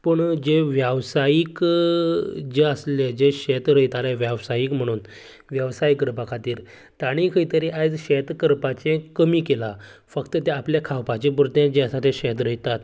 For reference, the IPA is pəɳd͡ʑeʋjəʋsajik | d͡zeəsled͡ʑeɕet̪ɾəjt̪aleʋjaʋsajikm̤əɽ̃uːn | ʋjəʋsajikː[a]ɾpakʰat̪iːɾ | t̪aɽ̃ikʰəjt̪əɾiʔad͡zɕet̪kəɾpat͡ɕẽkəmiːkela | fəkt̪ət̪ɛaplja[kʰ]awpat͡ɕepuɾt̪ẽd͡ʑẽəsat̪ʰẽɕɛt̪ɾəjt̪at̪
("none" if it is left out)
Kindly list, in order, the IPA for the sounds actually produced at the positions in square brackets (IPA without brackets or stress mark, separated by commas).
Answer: ə, kʰ